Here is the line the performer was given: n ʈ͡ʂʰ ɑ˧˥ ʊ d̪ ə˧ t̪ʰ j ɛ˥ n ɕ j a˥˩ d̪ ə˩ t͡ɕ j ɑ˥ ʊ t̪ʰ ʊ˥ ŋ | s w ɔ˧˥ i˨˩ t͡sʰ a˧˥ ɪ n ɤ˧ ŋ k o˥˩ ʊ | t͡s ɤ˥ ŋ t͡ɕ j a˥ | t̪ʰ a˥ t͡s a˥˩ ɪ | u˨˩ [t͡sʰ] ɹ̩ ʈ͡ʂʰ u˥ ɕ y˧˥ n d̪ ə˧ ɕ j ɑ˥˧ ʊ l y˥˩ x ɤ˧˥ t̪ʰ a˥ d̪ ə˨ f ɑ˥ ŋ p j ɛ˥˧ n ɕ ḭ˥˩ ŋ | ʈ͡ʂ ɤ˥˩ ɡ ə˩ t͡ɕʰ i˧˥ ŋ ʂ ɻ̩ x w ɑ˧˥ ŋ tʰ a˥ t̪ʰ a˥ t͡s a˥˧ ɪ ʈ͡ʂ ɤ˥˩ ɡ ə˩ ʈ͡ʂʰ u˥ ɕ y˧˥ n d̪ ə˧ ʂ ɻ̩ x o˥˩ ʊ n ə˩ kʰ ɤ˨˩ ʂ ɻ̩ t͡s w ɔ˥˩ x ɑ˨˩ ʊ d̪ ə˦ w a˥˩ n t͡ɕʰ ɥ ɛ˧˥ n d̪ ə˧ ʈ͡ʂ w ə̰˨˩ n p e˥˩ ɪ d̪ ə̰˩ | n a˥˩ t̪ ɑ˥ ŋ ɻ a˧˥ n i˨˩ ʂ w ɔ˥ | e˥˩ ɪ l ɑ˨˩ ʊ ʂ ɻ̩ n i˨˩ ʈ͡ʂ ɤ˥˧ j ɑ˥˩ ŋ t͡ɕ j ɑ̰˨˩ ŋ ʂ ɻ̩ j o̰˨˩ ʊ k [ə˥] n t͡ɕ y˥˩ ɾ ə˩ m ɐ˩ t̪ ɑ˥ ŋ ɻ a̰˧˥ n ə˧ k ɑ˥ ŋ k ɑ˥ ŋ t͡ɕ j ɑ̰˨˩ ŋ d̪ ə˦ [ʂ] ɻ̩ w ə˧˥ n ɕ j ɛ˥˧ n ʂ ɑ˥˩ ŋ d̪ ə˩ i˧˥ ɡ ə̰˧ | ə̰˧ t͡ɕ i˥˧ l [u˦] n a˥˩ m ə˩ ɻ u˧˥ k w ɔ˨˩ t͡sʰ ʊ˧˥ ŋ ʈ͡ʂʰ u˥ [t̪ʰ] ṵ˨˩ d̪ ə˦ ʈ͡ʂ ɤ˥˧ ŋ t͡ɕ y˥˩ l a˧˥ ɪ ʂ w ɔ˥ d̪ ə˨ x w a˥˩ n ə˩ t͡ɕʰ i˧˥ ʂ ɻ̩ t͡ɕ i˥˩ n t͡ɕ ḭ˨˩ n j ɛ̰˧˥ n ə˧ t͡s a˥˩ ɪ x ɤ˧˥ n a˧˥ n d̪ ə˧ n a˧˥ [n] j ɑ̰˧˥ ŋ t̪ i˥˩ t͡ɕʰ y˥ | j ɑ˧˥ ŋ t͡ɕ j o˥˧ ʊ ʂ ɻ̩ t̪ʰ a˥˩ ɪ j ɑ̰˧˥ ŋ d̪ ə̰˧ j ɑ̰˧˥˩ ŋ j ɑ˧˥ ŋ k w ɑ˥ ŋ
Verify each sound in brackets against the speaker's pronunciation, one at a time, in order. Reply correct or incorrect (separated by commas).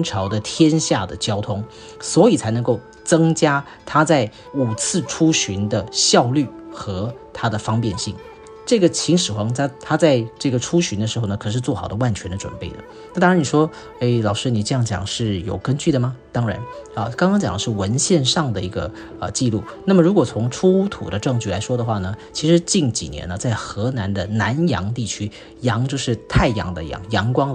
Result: correct, correct, correct, incorrect, correct, correct